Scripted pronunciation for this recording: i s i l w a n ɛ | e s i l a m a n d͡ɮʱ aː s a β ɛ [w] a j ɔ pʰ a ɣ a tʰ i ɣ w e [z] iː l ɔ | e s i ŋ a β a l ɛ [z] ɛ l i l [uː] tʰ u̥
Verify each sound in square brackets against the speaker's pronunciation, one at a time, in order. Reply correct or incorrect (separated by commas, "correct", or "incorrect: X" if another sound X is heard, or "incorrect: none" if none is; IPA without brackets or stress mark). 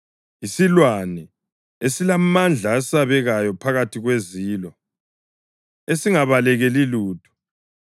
incorrect: ɣ, correct, incorrect: ɣ, correct